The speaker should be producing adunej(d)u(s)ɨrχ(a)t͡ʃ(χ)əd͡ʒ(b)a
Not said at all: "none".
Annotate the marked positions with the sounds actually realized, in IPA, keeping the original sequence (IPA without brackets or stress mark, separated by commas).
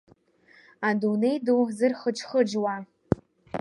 d, z, ə, χ, w